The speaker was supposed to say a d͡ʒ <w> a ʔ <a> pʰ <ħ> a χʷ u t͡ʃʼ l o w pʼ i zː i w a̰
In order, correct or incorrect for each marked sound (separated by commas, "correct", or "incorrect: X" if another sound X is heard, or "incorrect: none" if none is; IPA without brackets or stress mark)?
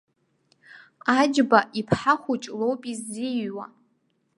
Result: incorrect: b, incorrect: i, correct